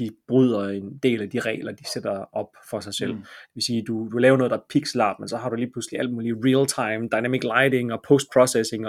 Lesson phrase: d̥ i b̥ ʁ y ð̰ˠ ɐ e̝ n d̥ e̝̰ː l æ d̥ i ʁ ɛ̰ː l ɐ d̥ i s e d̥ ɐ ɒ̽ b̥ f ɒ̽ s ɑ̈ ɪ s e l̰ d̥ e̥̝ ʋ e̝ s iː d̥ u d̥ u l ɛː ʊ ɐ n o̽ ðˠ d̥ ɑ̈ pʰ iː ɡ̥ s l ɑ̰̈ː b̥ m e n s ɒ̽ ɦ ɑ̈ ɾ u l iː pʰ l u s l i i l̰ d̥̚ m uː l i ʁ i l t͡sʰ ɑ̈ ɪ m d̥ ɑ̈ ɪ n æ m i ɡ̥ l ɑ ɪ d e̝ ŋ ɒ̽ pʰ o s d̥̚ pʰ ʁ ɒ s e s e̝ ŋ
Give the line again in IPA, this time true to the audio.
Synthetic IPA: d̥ i b̥ ʁ y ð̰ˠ ɐ e̝ n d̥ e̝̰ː l æ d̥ i ʁ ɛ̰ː l ɐ d̥ i s e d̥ ɐ ɒ̽ b̥ f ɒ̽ s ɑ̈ ɪ s e l̰ d̥ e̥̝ ʋ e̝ s iː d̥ u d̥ u l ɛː ʊ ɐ n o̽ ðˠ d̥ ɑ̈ pʰ i ɡ̥ s l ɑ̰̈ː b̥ m e n s ɒ̽ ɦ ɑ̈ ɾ u l iː pʰ l u s l i æ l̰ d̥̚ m uː l i ʁ i l t͡sʰ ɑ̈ ɪ m d̥ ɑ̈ ɪ n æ m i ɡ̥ l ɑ ɪ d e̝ ŋ ɒ̽ pʰ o s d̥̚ pʰ ʁ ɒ s e s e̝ ŋ